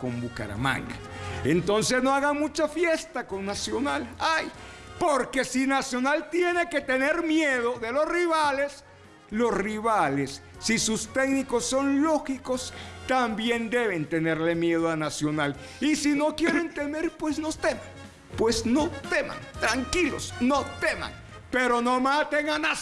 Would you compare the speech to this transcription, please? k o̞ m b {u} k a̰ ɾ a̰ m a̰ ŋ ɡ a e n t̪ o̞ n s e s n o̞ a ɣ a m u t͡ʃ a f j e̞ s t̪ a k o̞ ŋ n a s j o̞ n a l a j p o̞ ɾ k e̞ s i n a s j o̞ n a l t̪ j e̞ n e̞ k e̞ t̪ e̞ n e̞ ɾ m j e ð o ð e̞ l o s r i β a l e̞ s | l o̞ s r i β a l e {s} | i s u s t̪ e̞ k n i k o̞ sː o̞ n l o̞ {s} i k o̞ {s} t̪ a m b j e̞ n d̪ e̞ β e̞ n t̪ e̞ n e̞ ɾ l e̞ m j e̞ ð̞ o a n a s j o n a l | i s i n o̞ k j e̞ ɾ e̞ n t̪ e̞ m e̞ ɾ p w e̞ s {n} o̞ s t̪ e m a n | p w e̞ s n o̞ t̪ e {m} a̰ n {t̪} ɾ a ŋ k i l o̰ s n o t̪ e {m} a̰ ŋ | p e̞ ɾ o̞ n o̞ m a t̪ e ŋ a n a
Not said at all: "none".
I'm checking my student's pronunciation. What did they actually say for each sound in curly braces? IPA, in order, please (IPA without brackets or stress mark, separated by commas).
u, sː, x, s, n, m, t̪, m